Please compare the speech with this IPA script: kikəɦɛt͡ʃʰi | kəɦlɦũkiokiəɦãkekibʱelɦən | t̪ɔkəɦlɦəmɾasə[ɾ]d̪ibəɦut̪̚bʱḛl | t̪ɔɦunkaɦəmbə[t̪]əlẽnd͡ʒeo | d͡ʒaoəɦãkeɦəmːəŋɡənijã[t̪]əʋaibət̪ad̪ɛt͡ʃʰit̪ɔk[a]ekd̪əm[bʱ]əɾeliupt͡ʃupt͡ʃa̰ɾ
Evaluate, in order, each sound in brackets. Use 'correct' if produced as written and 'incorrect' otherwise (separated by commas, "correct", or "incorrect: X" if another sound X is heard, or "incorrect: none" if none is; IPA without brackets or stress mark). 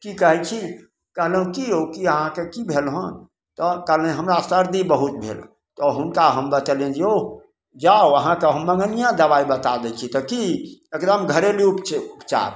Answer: correct, correct, incorrect: d̪, incorrect: i, incorrect: ɡʱ